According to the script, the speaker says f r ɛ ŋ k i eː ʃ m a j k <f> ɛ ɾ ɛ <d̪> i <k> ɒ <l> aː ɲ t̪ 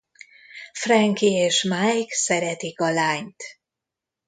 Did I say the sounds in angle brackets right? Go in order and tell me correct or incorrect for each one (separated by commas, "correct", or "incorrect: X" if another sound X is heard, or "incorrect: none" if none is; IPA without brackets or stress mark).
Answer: incorrect: s, incorrect: t̪, correct, correct